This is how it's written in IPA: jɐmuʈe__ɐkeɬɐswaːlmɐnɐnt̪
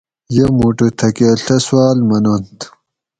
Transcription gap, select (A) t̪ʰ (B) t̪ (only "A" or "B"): A